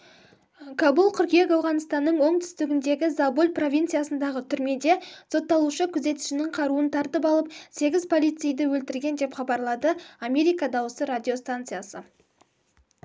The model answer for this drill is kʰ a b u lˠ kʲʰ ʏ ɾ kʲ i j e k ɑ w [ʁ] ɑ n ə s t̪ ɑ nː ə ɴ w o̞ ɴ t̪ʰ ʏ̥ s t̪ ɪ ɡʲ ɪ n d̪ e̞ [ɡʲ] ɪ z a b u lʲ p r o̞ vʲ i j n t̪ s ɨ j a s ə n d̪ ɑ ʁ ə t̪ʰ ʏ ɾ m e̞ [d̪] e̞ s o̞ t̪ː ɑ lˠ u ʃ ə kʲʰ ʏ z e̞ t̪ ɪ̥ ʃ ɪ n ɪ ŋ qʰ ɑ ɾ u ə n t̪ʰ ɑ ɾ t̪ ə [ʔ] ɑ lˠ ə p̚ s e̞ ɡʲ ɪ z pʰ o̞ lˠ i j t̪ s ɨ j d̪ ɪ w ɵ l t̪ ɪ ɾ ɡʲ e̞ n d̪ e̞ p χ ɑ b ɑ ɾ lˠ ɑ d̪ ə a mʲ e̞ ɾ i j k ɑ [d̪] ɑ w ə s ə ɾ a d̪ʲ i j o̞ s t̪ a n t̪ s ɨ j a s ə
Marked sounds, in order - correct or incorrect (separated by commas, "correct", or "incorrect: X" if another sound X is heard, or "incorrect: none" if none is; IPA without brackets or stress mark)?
correct, correct, correct, incorrect: p, correct